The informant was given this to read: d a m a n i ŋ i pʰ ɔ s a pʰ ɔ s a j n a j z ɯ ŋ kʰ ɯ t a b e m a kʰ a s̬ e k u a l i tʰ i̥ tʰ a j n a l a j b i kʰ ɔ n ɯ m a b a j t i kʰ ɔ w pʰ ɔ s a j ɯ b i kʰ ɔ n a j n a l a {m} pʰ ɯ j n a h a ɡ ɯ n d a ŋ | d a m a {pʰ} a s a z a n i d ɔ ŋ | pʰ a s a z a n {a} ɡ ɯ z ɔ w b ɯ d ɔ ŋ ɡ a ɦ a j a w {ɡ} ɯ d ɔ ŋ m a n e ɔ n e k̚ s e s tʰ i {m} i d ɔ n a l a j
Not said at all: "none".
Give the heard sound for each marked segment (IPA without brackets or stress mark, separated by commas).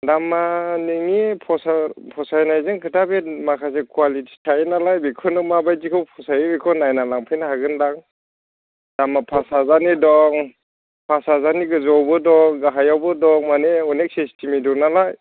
ŋ, pʰ, i, b, m